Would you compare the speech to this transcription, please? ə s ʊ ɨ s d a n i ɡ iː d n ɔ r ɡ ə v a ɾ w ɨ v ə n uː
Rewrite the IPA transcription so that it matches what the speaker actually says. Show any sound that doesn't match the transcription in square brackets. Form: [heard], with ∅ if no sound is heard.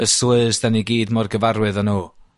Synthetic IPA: ə s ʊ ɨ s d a n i ɡ iː d [m] ɔ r ɡ ə v a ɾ w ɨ [ð] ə n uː

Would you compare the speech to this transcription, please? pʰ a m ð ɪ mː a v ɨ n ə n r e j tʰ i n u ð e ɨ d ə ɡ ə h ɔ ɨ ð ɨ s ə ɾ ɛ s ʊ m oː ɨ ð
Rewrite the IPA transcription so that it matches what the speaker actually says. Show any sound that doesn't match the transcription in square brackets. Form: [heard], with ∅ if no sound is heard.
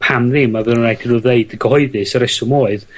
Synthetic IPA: pʰ a m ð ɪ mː a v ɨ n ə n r [a] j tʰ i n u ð e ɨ d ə ɡ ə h ɔ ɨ ð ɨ s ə ɾ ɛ s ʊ m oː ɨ ð

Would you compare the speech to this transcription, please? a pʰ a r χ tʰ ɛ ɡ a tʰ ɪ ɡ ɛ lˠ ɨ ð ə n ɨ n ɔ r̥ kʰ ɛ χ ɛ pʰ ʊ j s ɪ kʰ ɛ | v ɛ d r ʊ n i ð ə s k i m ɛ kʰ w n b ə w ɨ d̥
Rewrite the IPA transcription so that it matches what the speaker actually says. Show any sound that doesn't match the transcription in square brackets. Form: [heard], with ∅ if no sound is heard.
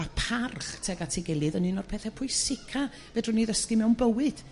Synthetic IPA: a pʰ a r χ tʰ ɛ ɡ a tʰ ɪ ɡ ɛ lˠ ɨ ð ə n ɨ n ɔ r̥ [pʰ] ɛ [θ] ɛ pʰ ʊ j s ɪ kʰ [a] | v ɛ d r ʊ n i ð ə s k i m ɛ [∅] w n b ə w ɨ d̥

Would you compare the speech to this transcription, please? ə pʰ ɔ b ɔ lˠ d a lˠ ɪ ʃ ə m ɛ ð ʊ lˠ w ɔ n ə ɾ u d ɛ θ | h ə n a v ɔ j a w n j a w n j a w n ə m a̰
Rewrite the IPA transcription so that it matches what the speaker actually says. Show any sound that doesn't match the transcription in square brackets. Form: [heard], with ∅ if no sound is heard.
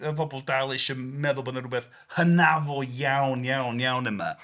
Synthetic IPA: ə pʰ ɔ b ɔ lˠ d a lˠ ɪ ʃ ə m ɛ ð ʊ lˠ [b] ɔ n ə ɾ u [b] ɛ θ | h ə n a v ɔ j a w n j a w n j a w n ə m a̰

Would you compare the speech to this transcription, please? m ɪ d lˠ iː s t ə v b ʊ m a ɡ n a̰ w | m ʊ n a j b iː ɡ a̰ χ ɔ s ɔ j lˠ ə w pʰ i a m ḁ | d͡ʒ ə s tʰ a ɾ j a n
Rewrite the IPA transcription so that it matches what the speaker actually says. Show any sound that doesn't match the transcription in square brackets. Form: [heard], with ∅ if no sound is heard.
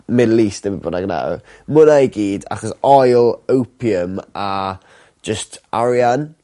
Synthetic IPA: m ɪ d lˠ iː s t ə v b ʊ [n] a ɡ n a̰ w | m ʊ n a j [ɡ] iː [d] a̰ χ ɔ s ɔ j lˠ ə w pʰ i [ə] m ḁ | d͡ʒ ə s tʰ a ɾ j a n

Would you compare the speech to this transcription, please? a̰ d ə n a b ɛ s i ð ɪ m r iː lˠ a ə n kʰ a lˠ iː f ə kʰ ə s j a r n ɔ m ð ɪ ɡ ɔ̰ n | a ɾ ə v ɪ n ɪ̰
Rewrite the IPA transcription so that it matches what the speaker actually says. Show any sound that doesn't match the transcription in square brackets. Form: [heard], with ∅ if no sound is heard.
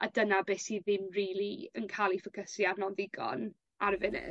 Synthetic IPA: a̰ d ə n a b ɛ s i ð ɪ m r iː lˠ [i] ə n kʰ a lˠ [i] f ə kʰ ə s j a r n ɔ [n] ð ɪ ɡ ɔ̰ n | a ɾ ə v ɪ n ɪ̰

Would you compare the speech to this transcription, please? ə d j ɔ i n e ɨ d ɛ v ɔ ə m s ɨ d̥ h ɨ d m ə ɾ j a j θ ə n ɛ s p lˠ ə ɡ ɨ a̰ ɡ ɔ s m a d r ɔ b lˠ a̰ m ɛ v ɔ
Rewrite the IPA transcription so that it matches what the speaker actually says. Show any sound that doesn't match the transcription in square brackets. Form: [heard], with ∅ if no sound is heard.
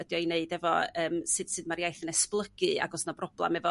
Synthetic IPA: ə d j ɔ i n e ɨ d ɛ v ɔ [əː] m s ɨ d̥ [s] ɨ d m [a] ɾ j a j θ ə n ɛ s p lˠ ə ɡ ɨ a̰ ɡ ɔ s [n] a [b] r ɔ b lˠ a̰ m ɛ v ɔ

